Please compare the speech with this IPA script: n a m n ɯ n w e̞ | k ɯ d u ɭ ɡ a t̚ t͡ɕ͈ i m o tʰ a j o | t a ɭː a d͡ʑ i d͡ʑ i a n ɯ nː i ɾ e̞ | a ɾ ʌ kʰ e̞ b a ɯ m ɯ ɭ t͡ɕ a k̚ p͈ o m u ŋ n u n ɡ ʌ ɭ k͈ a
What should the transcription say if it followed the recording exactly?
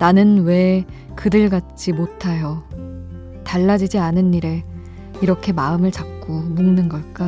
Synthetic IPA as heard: n a n ɯ n w e̞ | k ɯ d ɯ ɭ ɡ a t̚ t͡ɕ͈ i m o tʰ a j o | t a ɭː a d͡ʑ i d͡ʑ i a n ɯ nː i ɾ e̞ | i ɾ ʌ kʰ e̞ m a ɯ m ɯ ɭ t͡ɕ a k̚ k͈ o m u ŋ n ɯ n ɡ ʌ ɭ k͈ a